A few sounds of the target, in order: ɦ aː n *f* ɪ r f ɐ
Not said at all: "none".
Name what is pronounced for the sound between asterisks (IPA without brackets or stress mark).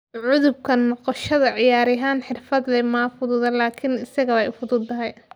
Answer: ħ